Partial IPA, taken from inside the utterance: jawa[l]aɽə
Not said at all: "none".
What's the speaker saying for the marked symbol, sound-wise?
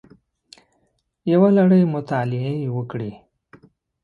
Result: l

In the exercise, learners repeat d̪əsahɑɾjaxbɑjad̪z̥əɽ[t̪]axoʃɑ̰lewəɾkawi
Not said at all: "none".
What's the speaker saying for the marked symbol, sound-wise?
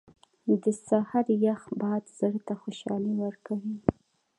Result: t̪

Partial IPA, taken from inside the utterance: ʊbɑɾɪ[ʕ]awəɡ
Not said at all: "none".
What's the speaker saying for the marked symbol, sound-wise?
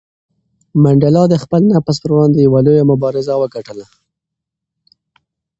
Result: z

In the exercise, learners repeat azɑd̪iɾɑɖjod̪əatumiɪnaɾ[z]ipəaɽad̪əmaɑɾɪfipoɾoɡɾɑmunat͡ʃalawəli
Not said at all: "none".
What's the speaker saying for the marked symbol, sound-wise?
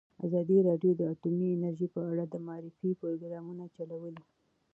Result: ʒ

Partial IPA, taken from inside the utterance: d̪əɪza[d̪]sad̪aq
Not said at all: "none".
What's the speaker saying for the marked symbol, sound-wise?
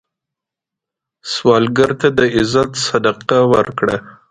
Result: t̪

